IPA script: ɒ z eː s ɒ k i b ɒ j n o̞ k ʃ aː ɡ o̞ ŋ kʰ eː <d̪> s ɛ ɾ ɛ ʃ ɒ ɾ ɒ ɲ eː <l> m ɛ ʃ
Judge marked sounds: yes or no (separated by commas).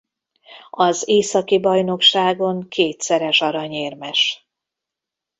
no, no